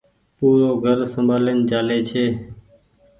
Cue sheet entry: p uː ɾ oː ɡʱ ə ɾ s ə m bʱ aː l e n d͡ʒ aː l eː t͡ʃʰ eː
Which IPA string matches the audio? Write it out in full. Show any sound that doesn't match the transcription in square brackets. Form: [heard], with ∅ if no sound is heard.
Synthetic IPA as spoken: p uː ɾ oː ɡʱ ə ɾ s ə m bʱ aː l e n d͡ʒ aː l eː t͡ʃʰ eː